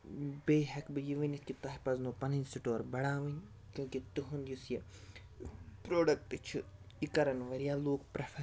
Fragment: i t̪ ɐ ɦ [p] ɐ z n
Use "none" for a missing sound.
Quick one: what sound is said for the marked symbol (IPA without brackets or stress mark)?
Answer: p